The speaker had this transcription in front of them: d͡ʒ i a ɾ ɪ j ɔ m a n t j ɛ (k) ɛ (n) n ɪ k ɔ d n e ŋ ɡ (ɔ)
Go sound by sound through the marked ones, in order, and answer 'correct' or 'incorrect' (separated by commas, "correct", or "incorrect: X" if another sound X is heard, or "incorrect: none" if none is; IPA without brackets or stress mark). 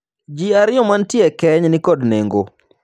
correct, incorrect: ɲ, incorrect: o